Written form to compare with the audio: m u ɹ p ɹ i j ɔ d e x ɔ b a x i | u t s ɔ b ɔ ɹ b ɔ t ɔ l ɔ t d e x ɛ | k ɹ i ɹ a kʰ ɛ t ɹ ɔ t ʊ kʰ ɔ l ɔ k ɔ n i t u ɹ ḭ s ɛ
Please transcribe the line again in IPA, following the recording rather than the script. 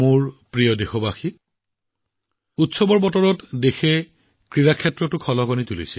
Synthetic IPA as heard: m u ɹ p ɹ i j ɔ d e x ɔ b a x i | u t s ɔ b ɔ ɹ b ɔ t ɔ ɹ ɔ t d e x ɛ | k ɹ i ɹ a kʰ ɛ t ɹ ɔ t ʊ kʰ ɔ l ɔ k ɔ n i t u l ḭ s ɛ